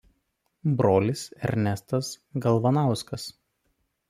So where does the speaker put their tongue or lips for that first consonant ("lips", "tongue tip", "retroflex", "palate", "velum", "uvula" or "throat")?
lips